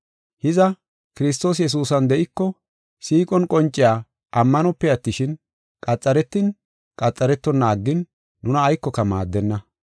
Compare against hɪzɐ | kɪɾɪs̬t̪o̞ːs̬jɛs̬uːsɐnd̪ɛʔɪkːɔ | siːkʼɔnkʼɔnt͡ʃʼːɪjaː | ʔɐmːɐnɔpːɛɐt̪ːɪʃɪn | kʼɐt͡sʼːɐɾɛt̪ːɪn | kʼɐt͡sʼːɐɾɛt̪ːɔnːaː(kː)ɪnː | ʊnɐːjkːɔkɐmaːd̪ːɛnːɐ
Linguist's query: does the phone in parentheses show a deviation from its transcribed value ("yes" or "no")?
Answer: yes